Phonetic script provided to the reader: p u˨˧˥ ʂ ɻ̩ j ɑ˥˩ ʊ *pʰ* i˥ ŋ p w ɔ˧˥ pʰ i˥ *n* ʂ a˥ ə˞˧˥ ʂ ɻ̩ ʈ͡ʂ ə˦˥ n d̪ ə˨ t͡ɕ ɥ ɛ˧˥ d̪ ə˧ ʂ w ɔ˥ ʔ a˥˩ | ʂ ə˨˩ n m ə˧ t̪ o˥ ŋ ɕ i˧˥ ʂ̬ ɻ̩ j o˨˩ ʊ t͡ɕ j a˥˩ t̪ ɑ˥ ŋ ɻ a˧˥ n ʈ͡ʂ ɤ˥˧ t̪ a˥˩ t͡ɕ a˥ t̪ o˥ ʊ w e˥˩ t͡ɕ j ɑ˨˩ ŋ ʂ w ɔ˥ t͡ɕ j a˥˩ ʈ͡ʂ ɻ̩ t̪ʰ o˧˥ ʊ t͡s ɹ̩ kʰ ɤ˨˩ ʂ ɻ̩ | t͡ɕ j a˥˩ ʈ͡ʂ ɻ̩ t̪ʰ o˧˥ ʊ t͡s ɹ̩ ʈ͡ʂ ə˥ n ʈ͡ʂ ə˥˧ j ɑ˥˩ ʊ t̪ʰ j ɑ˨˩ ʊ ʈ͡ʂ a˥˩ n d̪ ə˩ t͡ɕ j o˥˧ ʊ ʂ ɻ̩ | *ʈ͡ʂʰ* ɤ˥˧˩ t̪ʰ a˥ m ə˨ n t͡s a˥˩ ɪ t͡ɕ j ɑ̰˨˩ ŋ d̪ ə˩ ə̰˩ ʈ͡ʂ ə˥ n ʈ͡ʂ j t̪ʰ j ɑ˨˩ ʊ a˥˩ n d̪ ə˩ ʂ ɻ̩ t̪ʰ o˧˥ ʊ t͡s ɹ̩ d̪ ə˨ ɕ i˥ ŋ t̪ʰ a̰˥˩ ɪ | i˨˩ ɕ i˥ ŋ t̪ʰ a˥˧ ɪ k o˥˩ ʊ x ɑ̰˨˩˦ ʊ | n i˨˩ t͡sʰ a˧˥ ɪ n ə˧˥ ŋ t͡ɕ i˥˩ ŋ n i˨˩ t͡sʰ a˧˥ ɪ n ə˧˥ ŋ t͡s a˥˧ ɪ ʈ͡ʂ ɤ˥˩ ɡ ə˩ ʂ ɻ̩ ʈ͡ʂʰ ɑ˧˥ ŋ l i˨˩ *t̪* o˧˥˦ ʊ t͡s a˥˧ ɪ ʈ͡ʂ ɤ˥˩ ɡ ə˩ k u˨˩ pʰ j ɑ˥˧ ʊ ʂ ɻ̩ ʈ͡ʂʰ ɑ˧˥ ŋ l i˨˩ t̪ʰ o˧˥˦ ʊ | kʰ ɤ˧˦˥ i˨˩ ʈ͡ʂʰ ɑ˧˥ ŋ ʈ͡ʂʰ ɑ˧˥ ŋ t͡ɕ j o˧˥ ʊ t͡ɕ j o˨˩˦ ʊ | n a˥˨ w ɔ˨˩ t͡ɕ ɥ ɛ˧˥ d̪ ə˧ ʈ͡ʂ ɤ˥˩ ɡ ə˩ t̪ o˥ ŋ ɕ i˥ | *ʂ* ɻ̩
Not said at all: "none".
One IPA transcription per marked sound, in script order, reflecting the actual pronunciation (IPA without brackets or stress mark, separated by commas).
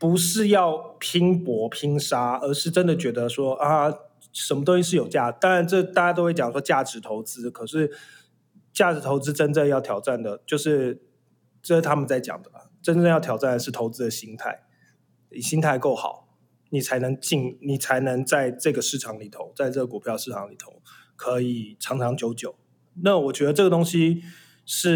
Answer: pʰ, ŋ, ʈ͡ʂ, t̪ʰ, ʂ